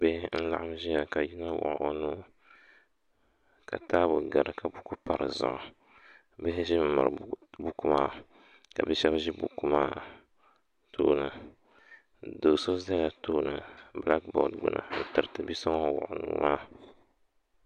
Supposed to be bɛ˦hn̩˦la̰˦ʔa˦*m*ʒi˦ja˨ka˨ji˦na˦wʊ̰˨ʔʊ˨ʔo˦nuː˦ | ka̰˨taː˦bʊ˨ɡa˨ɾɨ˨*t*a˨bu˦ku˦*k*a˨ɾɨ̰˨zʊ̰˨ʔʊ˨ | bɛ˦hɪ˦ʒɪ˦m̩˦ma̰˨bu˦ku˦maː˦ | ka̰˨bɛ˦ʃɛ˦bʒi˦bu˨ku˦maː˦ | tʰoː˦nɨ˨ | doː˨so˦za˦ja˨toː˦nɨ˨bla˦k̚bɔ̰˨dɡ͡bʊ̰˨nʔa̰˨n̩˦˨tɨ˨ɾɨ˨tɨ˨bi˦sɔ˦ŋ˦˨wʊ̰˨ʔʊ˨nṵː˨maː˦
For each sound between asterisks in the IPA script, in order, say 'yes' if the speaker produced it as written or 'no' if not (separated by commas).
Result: yes, no, no